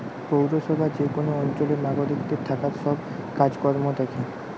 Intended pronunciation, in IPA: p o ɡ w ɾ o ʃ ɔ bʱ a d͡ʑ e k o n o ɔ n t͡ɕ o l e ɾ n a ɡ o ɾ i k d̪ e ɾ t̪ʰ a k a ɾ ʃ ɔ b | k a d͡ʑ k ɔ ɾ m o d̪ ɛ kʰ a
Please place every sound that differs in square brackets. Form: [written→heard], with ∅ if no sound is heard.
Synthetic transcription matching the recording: p o [ɡ→∅] w ɾ o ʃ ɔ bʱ a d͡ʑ e k o n o ɔ n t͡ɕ o l e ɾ n a ɡ o ɾ i k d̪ e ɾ t̪ʰ a k a ɾ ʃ ɔ b | k a d͡ʑ k ɔ ɾ m o d̪ ɛ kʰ [a→e]